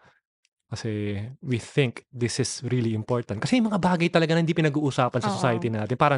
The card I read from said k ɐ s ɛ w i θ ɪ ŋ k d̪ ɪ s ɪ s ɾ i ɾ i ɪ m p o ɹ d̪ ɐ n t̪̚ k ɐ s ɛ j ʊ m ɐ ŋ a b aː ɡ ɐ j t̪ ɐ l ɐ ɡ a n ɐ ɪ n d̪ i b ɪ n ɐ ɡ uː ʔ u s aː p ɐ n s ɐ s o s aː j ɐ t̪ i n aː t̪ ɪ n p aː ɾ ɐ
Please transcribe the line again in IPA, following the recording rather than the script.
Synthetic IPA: k ɐ s ɛ w i θ ɪ ŋ k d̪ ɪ s ɪ s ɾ i l i ɪ m p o ɹ t̪ ɐ n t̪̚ k ɐ s ɛ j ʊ m ɐ ŋ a b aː ɡ ɐ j t̪ ɐ l ɐ ɡ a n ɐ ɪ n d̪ i p ɪ n ɐ ɡ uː ʔ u s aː p ɐ n s ɐ s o s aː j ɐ t̪ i n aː t̪ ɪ n p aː ɾ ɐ